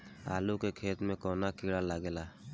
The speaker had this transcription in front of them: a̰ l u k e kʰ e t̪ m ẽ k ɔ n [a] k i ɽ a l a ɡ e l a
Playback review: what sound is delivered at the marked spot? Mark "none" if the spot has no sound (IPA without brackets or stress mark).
a